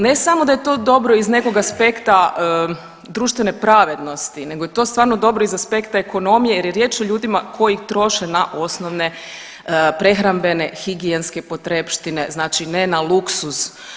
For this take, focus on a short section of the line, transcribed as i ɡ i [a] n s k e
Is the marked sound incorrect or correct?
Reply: incorrect